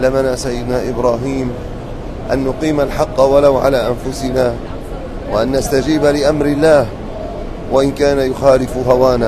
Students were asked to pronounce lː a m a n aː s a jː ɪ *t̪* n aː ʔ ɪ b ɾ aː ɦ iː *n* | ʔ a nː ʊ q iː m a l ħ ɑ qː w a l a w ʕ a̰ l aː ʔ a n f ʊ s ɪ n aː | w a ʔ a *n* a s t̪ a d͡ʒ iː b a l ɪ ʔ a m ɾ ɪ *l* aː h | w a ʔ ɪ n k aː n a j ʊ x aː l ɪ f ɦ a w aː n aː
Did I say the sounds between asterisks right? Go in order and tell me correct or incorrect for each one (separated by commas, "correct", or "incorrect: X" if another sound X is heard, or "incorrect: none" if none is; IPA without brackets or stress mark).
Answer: incorrect: d̪, incorrect: m, incorrect: nː, incorrect: lː